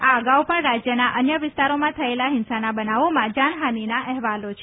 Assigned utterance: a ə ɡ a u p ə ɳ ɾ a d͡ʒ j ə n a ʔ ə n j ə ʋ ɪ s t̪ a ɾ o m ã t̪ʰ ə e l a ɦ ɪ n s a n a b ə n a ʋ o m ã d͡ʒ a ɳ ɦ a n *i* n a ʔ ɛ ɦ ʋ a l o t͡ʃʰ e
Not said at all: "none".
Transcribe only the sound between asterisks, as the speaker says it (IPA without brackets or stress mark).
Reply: i